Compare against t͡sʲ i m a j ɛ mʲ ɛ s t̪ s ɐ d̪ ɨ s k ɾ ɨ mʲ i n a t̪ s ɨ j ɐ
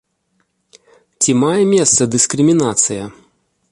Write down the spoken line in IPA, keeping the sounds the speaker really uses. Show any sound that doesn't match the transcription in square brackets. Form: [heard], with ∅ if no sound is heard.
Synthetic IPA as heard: t͡sʲ i m a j ɛ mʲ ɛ s t̪ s ɐ d̪ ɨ s k ɾ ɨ mʲ i n a t̪ s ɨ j ɐ